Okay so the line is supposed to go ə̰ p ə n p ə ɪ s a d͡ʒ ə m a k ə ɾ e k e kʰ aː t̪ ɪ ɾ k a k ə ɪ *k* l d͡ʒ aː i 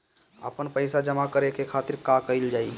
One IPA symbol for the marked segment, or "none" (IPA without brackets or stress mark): none